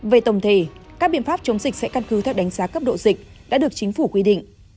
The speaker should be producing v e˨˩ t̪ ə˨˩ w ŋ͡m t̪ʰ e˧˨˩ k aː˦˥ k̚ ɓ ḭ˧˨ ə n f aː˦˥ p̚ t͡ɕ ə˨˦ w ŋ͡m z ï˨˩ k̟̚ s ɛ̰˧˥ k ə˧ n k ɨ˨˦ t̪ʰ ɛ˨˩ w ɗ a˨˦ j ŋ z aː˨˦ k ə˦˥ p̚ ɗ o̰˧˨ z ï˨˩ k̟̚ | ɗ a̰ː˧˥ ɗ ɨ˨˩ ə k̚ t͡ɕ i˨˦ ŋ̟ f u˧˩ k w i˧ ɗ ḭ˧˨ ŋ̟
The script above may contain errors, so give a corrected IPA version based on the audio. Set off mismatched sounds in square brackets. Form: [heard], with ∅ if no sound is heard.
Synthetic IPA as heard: v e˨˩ t̪ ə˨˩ w ŋ͡m t̪ʰ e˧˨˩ k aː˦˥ k̚ ɓ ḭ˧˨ ə n f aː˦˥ p̚ t͡ɕ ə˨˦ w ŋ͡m z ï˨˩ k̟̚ s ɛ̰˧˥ k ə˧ n k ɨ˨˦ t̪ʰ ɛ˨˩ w ɗ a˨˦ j ŋ z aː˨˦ k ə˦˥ p̚ ɗ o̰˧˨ z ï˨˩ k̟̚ | ɗ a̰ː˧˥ ɗ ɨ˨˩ ə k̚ t͡ɕ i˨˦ ŋ̟ f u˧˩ k w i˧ ɗ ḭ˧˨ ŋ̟